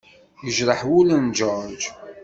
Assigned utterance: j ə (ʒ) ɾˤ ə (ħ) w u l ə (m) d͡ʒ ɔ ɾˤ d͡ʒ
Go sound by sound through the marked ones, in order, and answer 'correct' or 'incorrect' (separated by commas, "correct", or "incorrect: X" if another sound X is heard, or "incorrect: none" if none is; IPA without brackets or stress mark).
correct, correct, incorrect: n